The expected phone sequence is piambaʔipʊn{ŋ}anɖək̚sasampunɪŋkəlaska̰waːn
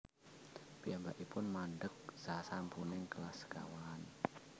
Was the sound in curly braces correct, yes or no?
no